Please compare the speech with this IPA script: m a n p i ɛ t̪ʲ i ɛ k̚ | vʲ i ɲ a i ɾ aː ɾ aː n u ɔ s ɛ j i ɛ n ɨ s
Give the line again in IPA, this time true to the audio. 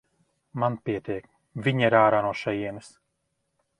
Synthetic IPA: m a n p i ɛ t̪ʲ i ɛ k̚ | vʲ i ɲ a i ɾ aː ɾ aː n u ɔ ʃ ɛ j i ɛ n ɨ s